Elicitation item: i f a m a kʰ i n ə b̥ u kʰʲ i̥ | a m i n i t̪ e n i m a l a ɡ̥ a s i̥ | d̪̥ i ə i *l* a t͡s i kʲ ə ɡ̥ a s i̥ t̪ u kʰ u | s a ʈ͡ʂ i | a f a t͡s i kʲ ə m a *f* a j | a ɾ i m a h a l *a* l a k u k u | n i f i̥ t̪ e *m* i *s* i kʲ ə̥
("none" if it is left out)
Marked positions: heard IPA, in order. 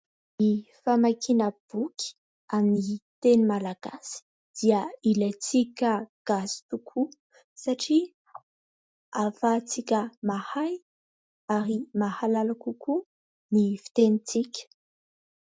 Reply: l, h, a, n, t͡s

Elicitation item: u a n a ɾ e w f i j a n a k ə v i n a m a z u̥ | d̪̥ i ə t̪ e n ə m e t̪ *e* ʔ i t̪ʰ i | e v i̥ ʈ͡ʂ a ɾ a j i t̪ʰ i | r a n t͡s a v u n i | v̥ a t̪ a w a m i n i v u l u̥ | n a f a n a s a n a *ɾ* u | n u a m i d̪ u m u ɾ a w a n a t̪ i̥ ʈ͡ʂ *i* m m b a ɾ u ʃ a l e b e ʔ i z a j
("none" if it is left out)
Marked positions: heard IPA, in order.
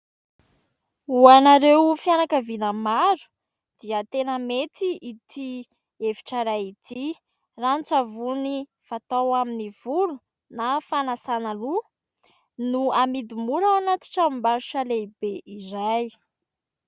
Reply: i, l, a

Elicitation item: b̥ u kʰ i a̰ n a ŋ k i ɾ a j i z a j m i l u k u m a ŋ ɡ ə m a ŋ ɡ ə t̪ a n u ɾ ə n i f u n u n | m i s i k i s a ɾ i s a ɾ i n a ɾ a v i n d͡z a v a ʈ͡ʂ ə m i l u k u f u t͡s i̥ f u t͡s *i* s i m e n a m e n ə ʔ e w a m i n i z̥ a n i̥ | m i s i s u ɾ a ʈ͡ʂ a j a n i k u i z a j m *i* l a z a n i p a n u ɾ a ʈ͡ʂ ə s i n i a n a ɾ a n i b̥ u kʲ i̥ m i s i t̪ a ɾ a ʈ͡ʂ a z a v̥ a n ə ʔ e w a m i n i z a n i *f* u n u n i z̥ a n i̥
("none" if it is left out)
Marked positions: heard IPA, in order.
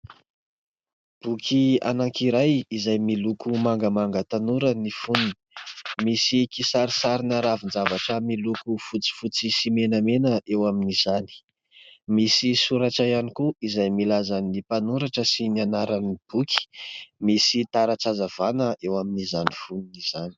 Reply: i, i, f

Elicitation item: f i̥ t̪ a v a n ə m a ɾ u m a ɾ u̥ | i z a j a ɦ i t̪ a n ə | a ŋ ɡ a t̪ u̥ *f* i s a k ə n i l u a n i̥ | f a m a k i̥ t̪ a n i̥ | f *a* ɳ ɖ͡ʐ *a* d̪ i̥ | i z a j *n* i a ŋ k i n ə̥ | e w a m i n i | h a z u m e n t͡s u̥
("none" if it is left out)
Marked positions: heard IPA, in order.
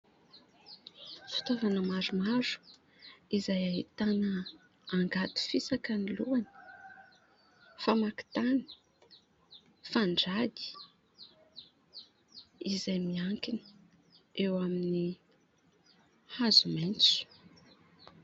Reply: f, a, a, m

